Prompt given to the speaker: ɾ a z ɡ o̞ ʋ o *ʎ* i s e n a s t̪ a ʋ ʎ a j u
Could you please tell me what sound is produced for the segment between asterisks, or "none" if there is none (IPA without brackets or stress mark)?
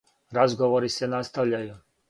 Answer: ɾ